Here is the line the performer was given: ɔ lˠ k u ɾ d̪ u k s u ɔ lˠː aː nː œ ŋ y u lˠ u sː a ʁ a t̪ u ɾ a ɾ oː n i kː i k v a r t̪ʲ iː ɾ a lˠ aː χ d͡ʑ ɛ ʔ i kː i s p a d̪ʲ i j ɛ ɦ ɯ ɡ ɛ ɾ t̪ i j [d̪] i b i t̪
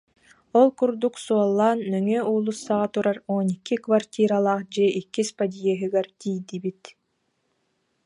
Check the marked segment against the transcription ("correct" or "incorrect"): correct